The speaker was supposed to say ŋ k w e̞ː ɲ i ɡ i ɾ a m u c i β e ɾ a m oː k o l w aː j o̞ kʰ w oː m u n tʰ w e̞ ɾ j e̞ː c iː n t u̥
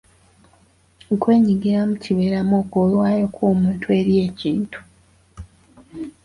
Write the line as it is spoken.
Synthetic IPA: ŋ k w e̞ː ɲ i ɡ i ɾ a m u c i β e ɾ a m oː k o l w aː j o̞ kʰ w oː m uː n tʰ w e̞ ɾ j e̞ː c iː n t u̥